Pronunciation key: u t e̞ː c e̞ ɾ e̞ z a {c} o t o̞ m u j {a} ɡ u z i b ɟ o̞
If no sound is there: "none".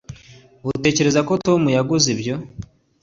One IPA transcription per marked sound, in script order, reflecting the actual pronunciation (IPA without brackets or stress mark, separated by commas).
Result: k, a